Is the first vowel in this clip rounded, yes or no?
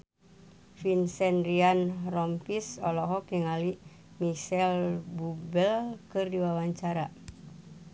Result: no